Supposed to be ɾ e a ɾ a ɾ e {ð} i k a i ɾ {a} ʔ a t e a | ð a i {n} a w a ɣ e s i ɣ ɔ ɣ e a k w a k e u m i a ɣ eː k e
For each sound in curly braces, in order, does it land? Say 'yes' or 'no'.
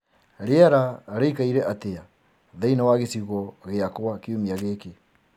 no, no, yes

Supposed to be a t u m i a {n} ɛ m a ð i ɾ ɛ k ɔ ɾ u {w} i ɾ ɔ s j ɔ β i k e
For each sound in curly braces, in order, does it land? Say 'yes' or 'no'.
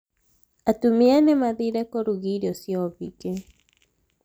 yes, no

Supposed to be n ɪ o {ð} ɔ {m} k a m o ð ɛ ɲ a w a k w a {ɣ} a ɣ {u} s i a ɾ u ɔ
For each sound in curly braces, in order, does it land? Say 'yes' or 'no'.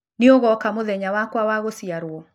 no, no, no, no

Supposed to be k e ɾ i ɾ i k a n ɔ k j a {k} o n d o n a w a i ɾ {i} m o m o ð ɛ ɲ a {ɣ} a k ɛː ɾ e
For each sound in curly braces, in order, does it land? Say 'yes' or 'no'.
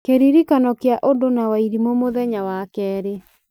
no, yes, no

